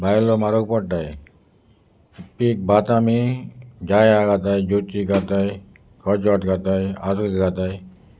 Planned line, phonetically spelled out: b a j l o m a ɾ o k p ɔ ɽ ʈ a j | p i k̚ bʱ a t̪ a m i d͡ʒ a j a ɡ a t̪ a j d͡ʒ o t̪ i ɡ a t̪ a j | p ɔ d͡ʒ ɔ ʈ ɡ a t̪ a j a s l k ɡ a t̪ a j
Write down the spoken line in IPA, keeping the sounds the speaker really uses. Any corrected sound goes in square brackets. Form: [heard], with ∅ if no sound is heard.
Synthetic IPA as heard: b a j l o m a ɾ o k p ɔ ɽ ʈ a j | p i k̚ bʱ a t̪ a m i d͡ʒ a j a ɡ a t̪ a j d͡ʒ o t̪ i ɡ a t̪ a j | [k] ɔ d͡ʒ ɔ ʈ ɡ a t̪ a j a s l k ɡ a t̪ a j